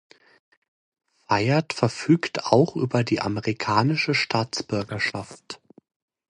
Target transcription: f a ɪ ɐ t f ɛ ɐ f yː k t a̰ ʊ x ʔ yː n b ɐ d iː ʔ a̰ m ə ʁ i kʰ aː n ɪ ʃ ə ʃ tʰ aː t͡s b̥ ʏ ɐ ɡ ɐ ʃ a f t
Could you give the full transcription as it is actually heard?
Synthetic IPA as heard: f a ɪ ɐ t f ɛ ɐ f yː k t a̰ ʊ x ʔ yː b ɐ d iː ʔ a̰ m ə ʁ i kʰ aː n ɪ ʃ ə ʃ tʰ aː t͡s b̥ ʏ ɐ ɡ ɐ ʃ a f t